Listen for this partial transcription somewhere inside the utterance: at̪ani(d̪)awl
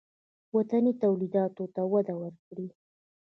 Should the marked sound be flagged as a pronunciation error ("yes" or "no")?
yes